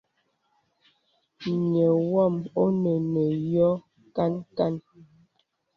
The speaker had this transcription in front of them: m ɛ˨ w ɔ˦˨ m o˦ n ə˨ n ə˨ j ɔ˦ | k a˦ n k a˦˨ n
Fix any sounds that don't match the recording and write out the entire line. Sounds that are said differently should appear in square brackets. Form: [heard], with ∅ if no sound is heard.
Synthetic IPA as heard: [ɲ] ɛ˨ w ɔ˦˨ m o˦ n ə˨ n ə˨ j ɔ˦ | k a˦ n k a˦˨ n

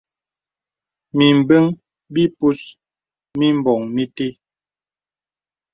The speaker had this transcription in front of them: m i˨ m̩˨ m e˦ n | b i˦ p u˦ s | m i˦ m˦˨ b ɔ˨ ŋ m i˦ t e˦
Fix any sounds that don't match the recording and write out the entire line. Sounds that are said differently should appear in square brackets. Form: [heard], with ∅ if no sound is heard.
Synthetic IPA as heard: m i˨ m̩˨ [b] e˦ [ŋ] | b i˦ p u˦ s | m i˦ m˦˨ b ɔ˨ ŋ m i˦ t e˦

